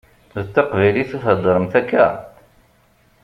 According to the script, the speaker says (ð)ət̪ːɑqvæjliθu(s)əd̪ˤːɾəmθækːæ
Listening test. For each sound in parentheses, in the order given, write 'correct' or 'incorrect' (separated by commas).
correct, incorrect